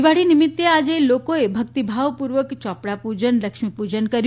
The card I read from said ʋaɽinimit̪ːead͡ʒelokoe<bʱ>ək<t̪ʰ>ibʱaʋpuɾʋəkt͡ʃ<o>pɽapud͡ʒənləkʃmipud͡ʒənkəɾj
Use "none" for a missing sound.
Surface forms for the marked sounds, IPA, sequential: bʱ, t̪, ɔ

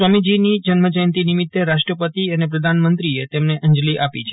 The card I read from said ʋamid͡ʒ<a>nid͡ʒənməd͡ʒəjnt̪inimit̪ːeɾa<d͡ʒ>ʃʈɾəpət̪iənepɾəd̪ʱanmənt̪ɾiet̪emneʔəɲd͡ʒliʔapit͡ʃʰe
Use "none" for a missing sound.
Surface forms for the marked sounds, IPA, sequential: i, none

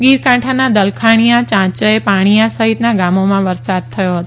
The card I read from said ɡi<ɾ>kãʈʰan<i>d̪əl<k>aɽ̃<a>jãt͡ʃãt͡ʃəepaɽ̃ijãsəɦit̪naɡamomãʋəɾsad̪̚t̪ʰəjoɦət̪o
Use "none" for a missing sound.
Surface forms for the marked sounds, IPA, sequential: ɾ, a, kʰ, i

